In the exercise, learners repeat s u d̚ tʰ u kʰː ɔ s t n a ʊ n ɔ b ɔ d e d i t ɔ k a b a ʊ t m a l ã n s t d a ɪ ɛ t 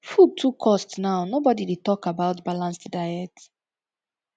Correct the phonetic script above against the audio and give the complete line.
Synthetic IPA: f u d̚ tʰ u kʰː ɔ s t n a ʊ n o b ɔ d i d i t ɔ k a b a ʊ t b a l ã n s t d a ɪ ɛ t